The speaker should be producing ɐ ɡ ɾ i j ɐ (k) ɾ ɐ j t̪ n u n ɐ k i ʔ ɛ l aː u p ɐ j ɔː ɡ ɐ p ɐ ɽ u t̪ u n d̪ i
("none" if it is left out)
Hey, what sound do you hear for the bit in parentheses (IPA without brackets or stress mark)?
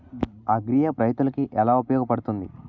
p